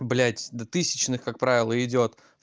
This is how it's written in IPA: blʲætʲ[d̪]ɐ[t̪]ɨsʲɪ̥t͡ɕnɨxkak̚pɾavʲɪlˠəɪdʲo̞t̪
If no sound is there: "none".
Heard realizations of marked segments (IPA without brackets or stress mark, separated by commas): d̪, t̪